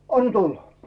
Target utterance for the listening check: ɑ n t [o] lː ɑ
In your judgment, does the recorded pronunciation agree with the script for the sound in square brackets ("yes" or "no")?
no